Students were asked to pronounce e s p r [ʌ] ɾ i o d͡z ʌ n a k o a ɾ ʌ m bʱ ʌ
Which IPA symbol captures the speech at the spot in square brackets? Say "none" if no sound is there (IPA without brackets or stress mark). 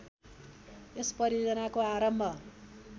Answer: ʌ